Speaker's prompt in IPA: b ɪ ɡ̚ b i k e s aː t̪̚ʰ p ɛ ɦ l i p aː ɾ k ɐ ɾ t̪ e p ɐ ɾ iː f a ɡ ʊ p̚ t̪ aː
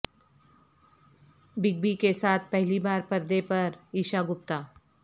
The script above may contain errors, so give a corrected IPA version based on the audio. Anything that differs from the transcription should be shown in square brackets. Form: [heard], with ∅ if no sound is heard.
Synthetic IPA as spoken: b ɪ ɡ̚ b i k e s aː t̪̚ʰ p ɛ ɦ l i [b] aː ɾ [p] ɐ ɾ [d̪] e p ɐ ɾ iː [ʃ] a ɡ ʊ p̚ t̪ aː